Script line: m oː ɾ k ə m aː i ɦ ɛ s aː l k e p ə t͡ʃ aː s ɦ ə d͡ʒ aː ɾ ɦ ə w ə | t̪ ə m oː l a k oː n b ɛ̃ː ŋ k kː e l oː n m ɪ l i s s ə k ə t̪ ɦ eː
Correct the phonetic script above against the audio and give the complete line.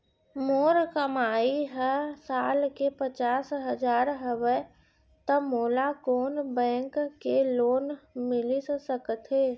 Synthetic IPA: m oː ɾ k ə m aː i ɦ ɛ s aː l k e p ə t͡ʃ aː s ɦ ə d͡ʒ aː ɾ ɦ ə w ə | t̪ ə m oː l a k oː n b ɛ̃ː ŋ k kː e l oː n m ɪ l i s s ə k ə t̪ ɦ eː